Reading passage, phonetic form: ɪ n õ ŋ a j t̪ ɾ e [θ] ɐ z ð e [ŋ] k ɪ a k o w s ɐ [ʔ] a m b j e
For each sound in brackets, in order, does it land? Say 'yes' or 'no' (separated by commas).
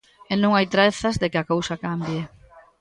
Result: yes, no, no